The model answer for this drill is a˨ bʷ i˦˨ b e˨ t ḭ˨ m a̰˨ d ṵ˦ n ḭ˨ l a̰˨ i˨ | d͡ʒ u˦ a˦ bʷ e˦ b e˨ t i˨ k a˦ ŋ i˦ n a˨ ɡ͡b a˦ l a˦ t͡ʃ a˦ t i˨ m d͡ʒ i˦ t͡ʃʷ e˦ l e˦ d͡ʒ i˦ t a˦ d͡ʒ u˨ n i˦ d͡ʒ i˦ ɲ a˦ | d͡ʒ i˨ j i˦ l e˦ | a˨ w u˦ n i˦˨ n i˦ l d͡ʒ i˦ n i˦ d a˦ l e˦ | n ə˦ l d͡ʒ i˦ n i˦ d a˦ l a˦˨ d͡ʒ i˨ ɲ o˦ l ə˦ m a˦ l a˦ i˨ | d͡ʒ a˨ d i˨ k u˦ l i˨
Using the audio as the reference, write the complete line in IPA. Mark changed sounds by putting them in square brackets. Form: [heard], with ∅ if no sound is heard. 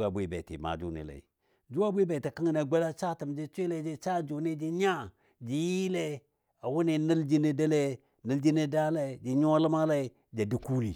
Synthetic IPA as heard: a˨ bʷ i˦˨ b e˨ t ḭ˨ m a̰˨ [d͡ʒ] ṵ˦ n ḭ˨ l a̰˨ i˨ | d͡ʒ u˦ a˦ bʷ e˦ b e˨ t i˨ k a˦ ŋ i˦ n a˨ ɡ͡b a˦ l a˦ t͡ʃ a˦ t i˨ m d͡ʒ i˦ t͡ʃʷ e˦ l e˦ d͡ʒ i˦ [t͡ʃ] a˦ d͡ʒ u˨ n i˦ d͡ʒ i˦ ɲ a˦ | d͡ʒ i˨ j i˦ l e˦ | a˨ w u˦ n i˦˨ n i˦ l d͡ʒ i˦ n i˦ d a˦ l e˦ | n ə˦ l d͡ʒ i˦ n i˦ d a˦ l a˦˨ d͡ʒ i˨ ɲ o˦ l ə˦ m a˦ l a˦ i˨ | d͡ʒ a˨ d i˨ k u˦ l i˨